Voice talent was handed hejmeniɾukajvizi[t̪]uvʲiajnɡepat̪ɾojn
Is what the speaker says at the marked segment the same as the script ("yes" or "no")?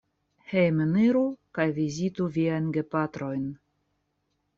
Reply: yes